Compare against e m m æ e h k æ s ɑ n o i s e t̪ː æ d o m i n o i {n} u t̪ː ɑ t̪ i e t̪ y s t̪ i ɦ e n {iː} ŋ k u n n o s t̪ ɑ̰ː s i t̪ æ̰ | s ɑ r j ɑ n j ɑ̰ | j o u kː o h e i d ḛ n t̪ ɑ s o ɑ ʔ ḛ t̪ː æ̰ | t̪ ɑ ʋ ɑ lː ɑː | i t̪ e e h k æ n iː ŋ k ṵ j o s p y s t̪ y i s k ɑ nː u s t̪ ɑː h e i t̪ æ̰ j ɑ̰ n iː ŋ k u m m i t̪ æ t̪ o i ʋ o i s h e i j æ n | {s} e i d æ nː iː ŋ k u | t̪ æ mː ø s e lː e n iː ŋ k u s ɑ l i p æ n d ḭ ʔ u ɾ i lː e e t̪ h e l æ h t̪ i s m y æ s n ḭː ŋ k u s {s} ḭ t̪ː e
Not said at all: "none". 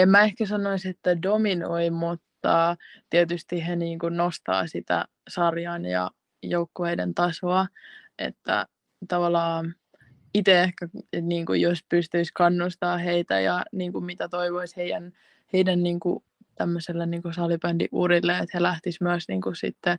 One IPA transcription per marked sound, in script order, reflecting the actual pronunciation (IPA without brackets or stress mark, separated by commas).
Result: m, iː, h, s